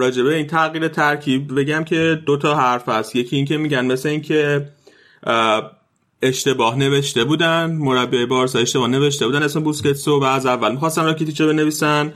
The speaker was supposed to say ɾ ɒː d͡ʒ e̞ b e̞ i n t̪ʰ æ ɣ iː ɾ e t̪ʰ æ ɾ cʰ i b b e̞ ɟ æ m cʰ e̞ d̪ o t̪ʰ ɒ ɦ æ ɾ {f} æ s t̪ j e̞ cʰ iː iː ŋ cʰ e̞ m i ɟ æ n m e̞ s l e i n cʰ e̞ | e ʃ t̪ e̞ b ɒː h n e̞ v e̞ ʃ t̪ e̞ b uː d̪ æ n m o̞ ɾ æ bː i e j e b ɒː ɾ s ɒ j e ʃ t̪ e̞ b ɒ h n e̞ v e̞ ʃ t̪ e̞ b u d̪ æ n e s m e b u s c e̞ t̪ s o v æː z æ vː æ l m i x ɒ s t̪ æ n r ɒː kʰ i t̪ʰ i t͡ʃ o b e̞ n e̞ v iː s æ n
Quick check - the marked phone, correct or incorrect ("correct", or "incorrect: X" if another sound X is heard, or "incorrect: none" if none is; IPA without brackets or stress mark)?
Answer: correct